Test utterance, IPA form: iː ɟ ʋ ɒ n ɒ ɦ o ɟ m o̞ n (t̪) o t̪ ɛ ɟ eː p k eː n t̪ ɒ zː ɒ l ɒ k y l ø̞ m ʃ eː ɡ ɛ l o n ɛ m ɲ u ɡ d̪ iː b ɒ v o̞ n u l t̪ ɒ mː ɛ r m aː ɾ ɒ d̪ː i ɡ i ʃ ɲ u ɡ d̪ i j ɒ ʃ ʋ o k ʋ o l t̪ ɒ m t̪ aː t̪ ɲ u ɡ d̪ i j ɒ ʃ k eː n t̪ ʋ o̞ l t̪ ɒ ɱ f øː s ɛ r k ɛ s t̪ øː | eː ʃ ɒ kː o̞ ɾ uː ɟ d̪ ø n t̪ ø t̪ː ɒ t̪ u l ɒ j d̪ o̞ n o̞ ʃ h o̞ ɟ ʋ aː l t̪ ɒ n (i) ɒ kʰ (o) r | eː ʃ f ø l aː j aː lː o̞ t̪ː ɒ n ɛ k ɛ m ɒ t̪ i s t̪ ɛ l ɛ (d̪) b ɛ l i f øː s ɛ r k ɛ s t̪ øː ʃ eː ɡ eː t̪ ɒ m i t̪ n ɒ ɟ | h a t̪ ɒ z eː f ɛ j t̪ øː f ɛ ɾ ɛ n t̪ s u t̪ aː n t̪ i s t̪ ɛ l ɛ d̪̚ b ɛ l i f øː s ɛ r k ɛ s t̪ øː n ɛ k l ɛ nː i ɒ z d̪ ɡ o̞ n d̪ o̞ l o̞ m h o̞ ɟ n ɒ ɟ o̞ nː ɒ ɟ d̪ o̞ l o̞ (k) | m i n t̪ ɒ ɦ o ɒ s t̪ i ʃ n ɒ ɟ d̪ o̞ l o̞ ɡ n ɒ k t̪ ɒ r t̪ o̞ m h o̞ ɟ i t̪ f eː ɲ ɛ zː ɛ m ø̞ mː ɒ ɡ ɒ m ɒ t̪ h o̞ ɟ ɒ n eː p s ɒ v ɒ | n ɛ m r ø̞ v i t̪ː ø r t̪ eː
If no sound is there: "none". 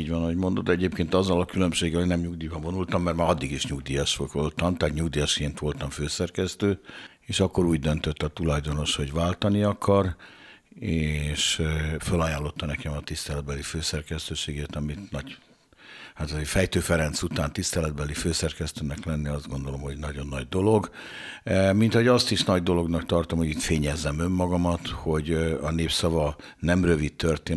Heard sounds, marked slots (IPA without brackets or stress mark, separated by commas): d̪, i, ɒ, d̪, ɡ